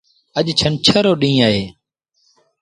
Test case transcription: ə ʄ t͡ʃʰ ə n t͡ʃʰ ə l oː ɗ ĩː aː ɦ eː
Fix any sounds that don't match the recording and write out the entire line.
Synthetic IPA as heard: ə ʄ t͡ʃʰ ə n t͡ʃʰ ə ɾ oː ɗ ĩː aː ɦ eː